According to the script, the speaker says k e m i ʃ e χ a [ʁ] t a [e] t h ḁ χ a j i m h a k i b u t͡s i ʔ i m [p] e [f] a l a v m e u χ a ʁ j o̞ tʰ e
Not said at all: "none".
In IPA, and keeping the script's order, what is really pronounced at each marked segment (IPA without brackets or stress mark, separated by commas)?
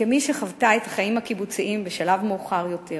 v, e, b, ʃ